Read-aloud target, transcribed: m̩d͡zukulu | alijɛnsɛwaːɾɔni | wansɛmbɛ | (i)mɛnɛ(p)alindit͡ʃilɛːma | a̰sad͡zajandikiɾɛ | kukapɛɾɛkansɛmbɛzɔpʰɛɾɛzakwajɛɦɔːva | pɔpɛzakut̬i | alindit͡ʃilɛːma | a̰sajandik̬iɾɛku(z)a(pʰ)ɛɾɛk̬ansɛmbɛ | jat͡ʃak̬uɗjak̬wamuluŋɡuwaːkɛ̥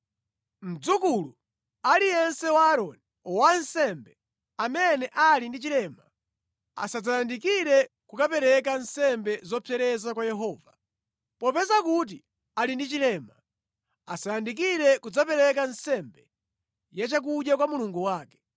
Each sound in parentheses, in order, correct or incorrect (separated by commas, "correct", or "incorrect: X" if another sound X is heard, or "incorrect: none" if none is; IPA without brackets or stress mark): incorrect: a, incorrect: ʔ, incorrect: d͡z, incorrect: p